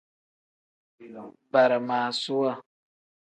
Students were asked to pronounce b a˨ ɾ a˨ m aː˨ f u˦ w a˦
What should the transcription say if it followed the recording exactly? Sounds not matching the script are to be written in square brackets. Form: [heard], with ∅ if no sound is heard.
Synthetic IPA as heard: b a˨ ɾ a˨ m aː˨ [s] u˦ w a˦